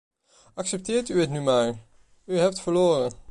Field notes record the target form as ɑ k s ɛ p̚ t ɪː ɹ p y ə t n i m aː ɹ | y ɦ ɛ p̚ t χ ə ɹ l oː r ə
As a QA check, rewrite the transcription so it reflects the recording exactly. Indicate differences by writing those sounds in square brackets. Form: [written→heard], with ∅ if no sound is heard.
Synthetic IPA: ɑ k s ɛ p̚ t ɪː ɹ [p→t] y ə t n [i→y] m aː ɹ | y ɦ ɛ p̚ t [χ→f] ə ɹ l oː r ə